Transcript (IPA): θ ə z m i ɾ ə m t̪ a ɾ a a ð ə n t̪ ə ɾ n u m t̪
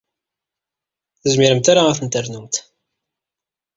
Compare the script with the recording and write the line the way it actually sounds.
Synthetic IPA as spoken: θ ə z m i ɾ ə m t̪ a ɾ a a θ ə n t̪ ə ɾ n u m t̪